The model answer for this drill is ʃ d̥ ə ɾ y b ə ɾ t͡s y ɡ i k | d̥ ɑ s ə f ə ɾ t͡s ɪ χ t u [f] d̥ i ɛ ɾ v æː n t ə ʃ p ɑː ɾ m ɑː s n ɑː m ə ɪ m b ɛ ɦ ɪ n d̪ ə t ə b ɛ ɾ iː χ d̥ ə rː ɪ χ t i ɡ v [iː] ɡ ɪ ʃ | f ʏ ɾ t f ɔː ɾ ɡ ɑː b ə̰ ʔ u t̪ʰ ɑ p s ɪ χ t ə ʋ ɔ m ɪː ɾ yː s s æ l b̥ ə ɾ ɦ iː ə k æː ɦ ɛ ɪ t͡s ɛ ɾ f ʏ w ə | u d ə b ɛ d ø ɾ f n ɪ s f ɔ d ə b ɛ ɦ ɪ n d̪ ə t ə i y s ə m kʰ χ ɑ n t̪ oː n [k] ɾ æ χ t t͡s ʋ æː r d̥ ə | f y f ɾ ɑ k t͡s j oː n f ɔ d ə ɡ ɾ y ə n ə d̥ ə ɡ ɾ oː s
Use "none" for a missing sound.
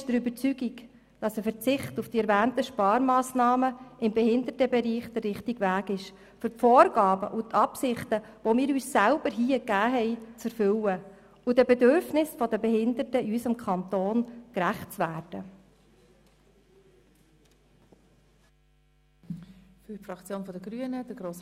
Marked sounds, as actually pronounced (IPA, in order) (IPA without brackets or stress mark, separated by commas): f, æː, k